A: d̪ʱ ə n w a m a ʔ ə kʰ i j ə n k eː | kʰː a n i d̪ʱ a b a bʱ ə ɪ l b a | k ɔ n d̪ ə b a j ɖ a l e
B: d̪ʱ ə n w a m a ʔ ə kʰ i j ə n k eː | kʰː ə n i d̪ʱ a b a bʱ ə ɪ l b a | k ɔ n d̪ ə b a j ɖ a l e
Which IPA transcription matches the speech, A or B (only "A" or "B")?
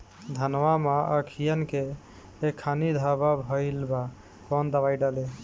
A